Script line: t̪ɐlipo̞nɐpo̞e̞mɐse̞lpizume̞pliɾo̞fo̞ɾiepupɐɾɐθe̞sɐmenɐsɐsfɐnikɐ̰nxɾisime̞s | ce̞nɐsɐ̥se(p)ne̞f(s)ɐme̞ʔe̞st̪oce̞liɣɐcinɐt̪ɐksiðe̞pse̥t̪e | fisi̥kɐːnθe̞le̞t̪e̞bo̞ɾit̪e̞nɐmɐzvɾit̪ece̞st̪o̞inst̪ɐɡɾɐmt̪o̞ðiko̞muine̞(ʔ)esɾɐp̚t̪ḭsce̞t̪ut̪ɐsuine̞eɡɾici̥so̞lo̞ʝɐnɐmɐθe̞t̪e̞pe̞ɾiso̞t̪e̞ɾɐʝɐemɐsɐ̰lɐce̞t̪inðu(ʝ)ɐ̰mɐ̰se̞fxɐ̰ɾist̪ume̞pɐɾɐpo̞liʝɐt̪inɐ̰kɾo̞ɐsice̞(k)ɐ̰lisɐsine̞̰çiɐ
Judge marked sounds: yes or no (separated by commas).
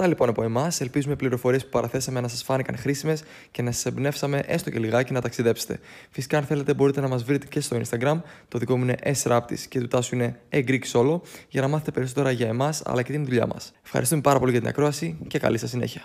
no, yes, yes, no, yes